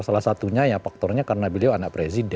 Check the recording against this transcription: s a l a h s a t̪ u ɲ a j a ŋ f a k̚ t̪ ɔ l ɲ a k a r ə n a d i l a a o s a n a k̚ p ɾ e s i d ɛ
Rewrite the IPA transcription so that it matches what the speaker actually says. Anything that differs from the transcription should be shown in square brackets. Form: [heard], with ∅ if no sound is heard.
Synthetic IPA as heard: s a l a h s a t̪ u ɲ a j a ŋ f a k̚ t̪ ɔ [r] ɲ a k a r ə n a [b] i l [i] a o [∅] a n a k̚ p ɾ e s i d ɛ

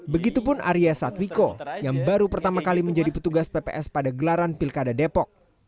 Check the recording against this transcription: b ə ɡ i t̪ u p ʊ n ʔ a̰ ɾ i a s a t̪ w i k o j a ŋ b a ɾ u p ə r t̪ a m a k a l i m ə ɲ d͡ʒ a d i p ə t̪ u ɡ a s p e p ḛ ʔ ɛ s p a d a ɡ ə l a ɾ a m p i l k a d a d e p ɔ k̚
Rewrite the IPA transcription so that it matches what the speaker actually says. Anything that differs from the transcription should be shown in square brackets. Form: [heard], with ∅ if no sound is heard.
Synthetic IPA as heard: b ə ɡ i t̪ u p ʊ n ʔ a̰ ɾ i a s a t̪ w i k o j a ŋ b a ɾ u p ə r t̪ a m a k a l i m ə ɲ d͡ʒ a d i p ə t̪ u ɡ a s p e p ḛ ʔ ɛ s p a d a ɡ ə l a ɾ a [n] p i l k a d a d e p ɔ k̚

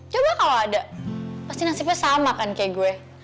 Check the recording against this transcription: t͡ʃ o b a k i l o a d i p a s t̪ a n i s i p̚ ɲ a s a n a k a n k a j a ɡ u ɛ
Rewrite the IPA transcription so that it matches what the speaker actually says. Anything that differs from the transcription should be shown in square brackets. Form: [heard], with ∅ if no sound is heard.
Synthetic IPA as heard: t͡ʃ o b a k [a] l o a d [a] p a s t̪ [i] n [a] s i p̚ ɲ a s a [m] a k a n k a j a ɡ u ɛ

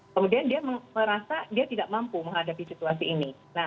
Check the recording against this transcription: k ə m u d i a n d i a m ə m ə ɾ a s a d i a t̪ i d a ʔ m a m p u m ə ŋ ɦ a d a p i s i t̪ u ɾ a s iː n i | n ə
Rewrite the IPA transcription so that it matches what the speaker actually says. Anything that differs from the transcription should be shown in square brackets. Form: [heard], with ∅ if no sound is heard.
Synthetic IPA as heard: k ə m u d i a n d i a m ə m ə ɾ a s a d i a t̪ i d a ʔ m a m p u m ə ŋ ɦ a d a p i s i t̪ u [∅] a s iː n i | n [a]

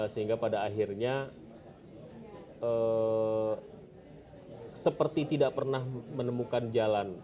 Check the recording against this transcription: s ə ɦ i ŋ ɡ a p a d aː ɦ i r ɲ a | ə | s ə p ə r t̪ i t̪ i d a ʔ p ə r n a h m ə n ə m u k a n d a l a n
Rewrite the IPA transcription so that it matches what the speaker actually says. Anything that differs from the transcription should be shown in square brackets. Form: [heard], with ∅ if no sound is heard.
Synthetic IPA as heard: s ə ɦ i ŋ ɡ a p a d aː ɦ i r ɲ a | ə | s ə p ə r t̪ i t̪ i d a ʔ p ə r n a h m ə n ə m u k a n [d͡ʒ] a l a n

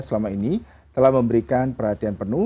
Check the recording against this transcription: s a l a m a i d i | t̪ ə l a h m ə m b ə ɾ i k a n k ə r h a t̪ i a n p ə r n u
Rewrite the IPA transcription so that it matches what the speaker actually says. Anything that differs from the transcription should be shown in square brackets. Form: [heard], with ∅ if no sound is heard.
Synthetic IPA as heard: s [ə] l a m a i [n] i | t̪ ə l a h m ə m b ə ɾ i k a n [p] ə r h a t̪ i a n p ə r n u

